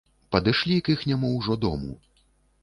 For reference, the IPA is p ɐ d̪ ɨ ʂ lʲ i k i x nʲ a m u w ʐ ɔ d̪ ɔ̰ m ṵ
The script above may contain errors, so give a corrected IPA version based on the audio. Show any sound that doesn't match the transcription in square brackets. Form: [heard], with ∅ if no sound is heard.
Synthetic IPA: p ɐ d̪ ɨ ʂ lʲ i k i x nʲ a m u w ʐ ɔ d̪ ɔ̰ m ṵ